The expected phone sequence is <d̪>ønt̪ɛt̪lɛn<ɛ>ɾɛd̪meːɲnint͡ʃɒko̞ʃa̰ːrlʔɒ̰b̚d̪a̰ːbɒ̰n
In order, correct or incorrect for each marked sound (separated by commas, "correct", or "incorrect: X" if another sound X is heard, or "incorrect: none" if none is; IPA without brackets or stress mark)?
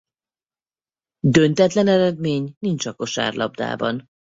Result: correct, correct